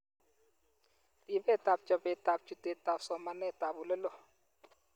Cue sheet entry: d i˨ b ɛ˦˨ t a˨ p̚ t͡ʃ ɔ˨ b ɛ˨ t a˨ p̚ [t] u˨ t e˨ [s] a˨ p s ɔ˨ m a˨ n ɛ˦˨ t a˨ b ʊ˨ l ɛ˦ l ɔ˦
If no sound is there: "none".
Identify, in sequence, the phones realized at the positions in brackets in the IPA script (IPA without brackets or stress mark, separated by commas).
t͡ʃ, t